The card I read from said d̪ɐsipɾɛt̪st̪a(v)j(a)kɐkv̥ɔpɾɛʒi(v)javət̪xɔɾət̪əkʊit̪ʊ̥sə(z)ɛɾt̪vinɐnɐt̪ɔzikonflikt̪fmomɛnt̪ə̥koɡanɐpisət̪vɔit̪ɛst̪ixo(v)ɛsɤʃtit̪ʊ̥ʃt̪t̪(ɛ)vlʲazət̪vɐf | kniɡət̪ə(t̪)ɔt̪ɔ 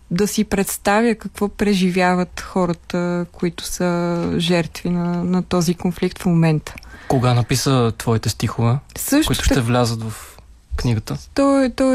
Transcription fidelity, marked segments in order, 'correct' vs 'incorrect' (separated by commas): correct, incorrect, correct, incorrect, correct, correct, correct